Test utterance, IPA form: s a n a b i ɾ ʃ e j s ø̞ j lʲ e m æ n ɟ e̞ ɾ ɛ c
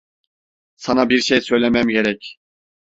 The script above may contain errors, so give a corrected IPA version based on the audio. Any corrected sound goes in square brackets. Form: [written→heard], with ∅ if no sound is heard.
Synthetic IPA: s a n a b i ɾ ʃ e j s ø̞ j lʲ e m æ [n→m] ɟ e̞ ɾ ɛ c